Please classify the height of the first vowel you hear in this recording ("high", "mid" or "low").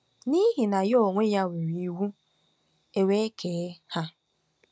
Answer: high